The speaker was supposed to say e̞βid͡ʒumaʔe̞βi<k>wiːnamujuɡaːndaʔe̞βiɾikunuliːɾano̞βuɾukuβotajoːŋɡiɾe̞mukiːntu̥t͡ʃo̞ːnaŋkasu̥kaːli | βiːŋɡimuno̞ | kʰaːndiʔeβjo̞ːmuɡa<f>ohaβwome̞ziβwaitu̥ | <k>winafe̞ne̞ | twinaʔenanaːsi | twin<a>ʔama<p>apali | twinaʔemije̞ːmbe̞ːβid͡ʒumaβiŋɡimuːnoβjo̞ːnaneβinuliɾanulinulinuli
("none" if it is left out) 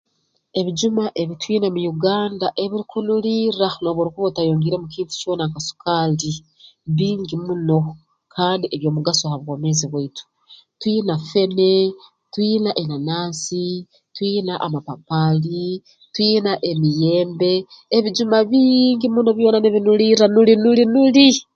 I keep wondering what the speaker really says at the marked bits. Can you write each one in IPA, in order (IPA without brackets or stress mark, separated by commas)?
t, s, t, a, p